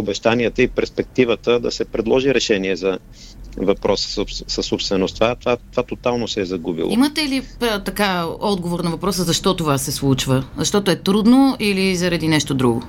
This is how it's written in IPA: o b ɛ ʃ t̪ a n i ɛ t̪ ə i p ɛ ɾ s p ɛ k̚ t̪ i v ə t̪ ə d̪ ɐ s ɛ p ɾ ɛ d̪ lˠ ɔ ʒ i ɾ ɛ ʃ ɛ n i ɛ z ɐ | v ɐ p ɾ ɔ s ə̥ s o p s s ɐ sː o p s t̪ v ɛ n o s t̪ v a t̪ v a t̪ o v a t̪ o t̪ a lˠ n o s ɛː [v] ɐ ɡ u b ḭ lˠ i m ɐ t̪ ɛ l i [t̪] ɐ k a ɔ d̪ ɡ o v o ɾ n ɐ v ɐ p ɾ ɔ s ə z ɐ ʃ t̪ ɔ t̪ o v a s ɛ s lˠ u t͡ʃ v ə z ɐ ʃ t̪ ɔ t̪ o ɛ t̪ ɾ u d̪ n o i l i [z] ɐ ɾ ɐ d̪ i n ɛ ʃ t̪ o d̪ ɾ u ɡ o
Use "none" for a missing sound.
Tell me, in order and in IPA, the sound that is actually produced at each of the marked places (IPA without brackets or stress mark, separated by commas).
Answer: z, t̪, z